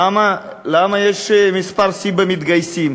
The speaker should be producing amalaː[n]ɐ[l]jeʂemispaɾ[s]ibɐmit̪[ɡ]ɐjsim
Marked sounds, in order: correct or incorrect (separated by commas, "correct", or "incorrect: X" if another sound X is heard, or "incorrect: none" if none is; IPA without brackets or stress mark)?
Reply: incorrect: m, incorrect: none, correct, correct